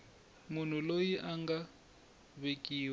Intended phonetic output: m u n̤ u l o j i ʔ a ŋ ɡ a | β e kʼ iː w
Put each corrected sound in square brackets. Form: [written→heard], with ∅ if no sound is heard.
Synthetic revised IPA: m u n̤ u l o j i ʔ a ŋ ɡ a | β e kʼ iː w